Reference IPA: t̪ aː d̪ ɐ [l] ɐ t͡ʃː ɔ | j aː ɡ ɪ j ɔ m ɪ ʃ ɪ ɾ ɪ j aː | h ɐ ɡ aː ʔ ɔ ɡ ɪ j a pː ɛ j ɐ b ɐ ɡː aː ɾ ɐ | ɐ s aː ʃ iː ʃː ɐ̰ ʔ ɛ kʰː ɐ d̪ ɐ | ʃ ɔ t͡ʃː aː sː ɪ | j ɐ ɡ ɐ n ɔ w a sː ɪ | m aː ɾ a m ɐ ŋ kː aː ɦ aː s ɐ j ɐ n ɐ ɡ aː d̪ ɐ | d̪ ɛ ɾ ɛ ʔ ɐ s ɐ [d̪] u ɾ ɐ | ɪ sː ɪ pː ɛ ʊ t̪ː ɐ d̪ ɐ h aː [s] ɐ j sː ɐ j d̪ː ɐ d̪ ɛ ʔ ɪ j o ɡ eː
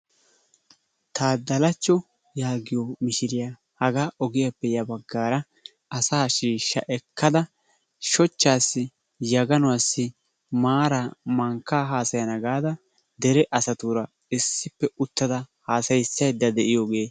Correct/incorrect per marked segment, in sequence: correct, incorrect: t̪, correct

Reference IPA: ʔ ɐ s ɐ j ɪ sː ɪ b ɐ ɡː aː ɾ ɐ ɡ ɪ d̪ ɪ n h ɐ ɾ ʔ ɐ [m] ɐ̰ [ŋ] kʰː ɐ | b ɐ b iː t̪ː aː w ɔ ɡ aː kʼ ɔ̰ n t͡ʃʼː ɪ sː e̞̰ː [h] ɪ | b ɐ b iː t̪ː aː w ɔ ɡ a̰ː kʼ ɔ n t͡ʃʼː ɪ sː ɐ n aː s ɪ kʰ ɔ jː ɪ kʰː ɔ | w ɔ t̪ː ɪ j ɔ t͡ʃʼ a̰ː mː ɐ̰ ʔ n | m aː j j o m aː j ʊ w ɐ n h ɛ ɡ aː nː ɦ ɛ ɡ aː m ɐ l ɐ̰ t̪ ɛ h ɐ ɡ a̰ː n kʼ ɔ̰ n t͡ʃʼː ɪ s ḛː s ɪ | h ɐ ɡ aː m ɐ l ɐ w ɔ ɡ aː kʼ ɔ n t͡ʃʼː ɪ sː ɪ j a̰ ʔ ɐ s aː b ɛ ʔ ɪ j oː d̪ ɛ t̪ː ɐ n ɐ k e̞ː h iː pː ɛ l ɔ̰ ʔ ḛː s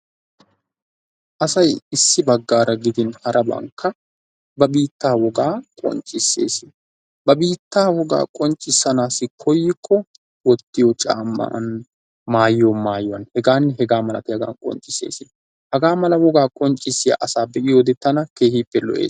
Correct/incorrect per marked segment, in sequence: incorrect: b, correct, incorrect: s

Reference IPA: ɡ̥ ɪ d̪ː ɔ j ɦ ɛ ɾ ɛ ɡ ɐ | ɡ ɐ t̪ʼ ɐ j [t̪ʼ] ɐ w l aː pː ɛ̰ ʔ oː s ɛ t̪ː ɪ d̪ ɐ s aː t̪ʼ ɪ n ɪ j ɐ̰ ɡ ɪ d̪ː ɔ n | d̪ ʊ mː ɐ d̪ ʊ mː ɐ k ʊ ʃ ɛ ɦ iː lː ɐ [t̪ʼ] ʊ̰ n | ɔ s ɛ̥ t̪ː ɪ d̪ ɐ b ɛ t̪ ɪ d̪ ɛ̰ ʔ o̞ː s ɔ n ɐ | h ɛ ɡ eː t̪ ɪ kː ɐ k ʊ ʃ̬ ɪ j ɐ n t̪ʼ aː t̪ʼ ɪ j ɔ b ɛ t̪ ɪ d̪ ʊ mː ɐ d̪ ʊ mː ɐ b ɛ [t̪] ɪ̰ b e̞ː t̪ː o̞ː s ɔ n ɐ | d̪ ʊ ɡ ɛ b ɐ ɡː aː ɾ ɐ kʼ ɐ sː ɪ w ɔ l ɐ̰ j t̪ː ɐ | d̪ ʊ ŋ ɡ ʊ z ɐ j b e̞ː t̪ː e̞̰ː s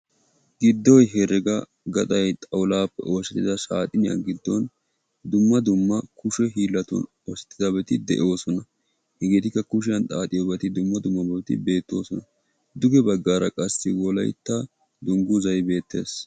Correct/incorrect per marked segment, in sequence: correct, incorrect: t̪, correct

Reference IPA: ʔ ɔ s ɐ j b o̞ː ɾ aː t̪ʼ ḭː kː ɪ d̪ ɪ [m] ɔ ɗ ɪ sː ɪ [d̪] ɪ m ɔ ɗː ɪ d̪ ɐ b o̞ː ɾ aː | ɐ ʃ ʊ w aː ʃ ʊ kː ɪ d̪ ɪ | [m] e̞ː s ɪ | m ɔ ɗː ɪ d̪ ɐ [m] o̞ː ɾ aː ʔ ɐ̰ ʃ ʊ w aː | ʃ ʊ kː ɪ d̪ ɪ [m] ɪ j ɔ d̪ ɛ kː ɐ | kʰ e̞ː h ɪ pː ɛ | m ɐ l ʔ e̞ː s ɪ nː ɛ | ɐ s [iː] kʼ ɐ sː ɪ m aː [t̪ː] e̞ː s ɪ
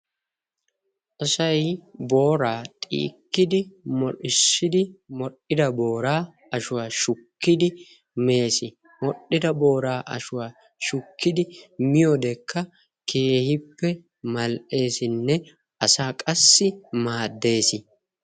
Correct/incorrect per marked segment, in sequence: correct, correct, correct, incorrect: b, correct, incorrect: aː, incorrect: d̪ː

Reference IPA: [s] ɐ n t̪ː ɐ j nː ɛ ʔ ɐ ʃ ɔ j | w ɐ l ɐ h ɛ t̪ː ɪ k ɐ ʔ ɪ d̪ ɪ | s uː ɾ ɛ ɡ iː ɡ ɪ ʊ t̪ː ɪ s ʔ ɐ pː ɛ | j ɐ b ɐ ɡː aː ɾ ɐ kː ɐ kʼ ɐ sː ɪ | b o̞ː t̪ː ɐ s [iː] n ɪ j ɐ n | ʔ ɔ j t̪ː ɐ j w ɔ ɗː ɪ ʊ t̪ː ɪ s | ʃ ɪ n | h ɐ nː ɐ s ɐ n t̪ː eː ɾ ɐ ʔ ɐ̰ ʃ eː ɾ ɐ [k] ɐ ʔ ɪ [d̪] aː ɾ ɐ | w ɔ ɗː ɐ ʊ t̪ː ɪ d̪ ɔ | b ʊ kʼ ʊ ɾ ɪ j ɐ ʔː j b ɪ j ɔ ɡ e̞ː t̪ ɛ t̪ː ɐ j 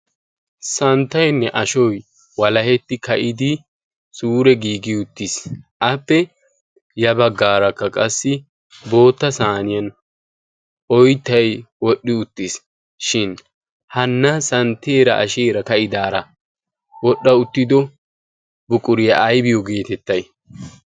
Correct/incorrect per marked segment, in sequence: correct, incorrect: aː, correct, correct

